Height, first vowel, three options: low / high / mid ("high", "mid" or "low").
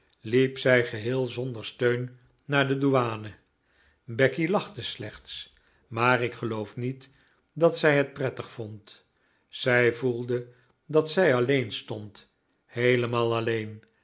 high